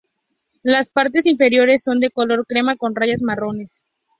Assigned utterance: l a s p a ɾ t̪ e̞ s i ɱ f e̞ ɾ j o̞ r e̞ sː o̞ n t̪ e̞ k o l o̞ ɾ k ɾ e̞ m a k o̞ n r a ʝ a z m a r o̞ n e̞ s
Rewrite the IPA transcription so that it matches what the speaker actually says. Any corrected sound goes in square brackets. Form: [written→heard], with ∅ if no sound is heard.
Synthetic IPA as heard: l a s p a ɾ t̪ e̞ s i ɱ f e̞ ɾ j o̞ [r→ɾ] e̞ sː o̞ n [t̪→d̪] e̞ k o l o̞ ɾ k ɾ e̞ m a k o̞ n r a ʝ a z m a r o̞ n e̞ s

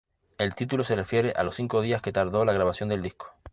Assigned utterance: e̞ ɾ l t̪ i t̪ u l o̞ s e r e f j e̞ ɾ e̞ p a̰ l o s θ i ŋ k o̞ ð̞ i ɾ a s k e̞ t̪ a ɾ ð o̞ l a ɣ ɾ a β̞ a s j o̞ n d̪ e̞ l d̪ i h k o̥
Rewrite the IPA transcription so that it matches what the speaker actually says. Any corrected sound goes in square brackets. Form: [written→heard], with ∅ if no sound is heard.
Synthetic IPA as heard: e̞ [ɾ→∅] l t̪ i t̪ u l o̞ s e r e f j e̞ ɾ e̞ [p→ʔ] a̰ l o s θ i ŋ k o̞ ð̞ i [ɾ→∅] a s k e̞ t̪ a ɾ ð o̞ l a ɣ ɾ a β̞ a s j o̞ n d̪ e̞ l d̪ i h k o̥

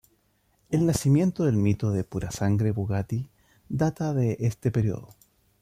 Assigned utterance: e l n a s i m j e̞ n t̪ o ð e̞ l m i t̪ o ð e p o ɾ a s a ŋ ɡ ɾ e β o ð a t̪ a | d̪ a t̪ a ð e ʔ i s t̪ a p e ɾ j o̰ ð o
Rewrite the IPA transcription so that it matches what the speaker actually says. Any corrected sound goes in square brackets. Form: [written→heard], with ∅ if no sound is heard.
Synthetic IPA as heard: e l n a s i m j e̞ n t̪ o ð e̞ l m i t̪ o ð e p [o→u] ɾ a s a ŋ ɡ ɾ e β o [ð→ɣ] a t̪ [a→i] | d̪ a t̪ a ð e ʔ [i→e] s t̪ [a→e] p e ɾ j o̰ ð o

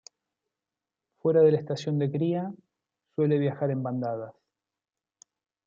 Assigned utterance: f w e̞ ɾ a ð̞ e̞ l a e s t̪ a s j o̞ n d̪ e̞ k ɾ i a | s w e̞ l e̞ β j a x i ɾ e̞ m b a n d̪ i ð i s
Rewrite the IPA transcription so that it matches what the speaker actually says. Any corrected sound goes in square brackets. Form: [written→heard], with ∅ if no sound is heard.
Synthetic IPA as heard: f w e̞ ɾ a ð̞ e̞ l a e s t̪ a s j o̞ n d̪ e̞ k ɾ i a | s w e̞ l e̞ β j a x [i→a] ɾ e̞ m b a n d̪ [i→a] ð [i→a] s

